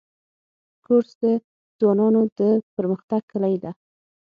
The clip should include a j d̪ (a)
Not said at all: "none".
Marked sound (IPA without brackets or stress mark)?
a